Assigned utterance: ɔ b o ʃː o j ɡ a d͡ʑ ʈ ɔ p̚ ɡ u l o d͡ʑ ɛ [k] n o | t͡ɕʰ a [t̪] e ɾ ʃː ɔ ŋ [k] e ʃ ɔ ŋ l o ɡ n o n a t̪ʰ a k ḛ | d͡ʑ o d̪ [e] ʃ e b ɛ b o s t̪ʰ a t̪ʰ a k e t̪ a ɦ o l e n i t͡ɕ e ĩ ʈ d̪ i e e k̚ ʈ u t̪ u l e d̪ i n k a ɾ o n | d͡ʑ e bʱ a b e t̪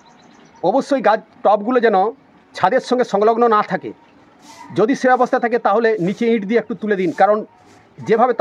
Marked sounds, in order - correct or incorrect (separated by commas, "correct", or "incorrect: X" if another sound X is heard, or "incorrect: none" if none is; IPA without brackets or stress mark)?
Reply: incorrect: none, incorrect: d̪, incorrect: ɡ, incorrect: i